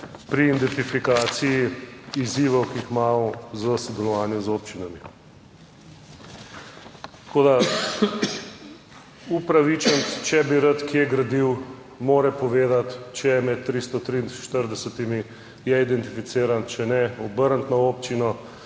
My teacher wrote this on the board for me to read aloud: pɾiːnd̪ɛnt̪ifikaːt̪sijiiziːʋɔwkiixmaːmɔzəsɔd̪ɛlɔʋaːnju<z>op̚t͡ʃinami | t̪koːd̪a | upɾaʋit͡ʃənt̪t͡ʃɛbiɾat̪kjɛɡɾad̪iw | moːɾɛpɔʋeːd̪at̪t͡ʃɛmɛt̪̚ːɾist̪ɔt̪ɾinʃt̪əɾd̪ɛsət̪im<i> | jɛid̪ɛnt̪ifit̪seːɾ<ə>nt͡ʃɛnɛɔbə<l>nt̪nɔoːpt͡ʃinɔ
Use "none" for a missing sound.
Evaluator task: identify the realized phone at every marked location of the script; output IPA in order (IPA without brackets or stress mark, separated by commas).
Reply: z, i, a, ɾ